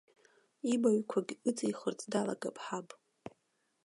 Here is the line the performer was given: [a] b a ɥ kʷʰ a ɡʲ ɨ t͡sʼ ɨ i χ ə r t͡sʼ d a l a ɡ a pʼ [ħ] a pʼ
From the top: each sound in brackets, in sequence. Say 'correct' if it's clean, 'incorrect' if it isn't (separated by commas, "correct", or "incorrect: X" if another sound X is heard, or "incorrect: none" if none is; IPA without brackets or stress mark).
incorrect: i, correct